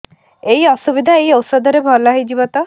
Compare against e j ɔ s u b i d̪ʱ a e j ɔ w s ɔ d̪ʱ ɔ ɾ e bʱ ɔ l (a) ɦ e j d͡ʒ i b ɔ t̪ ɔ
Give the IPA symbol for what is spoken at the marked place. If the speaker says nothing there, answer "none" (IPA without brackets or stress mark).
a